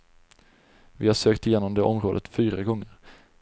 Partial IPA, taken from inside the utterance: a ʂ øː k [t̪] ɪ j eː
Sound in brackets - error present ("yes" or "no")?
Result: no